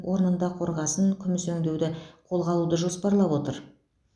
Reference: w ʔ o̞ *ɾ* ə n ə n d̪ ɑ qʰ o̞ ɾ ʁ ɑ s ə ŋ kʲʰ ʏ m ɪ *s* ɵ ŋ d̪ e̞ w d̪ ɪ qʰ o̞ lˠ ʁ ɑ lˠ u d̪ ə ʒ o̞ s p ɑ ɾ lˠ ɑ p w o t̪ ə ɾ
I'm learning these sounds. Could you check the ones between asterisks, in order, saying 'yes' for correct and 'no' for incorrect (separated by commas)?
yes, yes